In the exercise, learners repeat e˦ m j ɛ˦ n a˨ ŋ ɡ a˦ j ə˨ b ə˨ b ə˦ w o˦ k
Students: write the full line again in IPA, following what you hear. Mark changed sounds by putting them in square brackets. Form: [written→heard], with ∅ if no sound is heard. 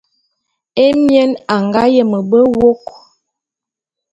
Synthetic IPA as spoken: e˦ m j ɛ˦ n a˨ ŋ ɡ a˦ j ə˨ [b→m] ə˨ b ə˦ w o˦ k